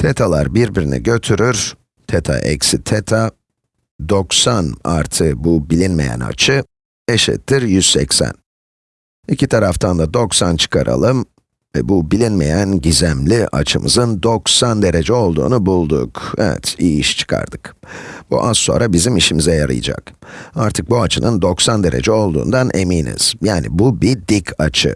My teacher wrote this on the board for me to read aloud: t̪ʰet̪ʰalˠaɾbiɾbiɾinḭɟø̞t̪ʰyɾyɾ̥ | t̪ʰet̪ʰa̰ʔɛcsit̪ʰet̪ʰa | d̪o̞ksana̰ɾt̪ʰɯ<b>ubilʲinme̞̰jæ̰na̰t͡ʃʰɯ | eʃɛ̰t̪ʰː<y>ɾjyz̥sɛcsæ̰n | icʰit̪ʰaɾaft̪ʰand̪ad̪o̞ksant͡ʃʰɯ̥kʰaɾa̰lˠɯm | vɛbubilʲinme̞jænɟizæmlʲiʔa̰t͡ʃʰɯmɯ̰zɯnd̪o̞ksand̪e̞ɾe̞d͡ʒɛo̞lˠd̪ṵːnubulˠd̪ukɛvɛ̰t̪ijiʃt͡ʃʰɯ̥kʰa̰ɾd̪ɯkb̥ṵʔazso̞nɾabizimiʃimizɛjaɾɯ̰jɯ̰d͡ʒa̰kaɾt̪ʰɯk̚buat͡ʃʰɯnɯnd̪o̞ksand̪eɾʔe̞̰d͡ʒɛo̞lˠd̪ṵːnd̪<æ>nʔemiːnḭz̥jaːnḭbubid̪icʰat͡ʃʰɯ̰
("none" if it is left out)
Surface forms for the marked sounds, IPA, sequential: b, i, a

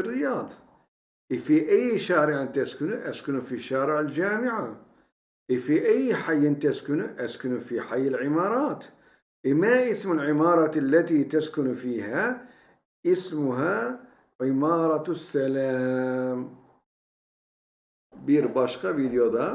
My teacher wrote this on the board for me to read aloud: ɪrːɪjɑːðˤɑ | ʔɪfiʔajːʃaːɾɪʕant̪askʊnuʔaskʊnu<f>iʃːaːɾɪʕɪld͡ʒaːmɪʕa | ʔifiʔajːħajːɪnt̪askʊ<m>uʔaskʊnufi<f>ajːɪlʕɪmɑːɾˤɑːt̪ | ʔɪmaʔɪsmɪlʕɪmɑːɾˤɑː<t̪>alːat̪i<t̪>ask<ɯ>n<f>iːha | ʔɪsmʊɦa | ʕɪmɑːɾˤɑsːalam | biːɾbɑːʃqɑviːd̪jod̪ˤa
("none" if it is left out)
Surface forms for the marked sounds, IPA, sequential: f, n, ħ, t̪, t̪, ʊ, f

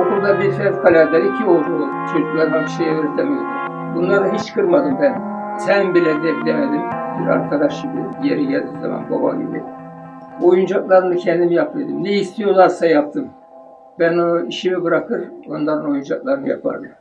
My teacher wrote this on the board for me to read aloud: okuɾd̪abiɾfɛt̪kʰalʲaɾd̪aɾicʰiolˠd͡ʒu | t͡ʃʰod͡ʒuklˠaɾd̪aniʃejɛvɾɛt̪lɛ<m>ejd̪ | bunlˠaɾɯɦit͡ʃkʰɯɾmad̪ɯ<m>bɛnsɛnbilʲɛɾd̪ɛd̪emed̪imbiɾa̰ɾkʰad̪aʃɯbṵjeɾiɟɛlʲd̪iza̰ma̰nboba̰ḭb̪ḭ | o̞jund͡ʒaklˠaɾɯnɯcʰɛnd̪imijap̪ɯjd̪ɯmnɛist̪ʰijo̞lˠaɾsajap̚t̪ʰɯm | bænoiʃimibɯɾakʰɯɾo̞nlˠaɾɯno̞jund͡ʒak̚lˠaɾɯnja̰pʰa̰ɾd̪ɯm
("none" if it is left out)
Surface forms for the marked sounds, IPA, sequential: m, m

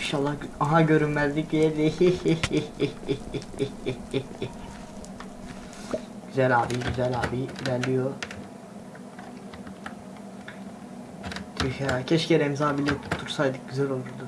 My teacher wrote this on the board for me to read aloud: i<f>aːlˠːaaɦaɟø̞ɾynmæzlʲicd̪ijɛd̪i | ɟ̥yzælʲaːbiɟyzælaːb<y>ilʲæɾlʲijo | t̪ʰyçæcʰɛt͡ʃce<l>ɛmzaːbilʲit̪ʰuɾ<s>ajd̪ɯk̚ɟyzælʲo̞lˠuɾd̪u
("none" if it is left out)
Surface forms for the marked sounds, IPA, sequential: ʃ, i, ɾ, s

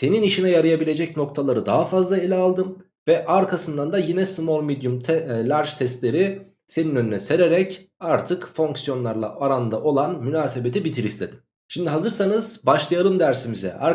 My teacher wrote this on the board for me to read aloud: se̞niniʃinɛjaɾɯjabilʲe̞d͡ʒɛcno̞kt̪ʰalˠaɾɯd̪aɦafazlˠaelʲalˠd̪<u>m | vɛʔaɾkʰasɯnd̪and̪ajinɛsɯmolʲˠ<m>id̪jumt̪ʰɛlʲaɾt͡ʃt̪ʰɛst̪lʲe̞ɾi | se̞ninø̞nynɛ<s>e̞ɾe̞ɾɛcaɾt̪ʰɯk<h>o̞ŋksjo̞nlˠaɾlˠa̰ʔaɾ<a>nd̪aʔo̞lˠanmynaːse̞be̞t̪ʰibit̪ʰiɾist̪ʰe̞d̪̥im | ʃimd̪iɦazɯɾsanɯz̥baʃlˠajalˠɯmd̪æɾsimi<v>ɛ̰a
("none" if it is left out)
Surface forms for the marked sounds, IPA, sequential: ɯ, m, s, f, a, z

